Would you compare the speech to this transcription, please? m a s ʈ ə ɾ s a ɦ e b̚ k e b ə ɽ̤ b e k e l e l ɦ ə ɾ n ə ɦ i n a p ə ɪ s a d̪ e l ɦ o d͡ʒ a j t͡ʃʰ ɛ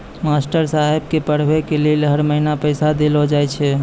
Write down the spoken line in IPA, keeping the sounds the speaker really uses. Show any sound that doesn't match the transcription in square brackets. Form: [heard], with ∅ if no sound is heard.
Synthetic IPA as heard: m a s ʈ ə ɾ s a ɦ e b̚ k e [p] ə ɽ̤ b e k e l e l ɦ ə ɾ [m] ə ɦ i n a p ə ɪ s a d̪ e l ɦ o d͡ʒ a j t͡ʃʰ ɛ